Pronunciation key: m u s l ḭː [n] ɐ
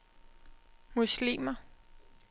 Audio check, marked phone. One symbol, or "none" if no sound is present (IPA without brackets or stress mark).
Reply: m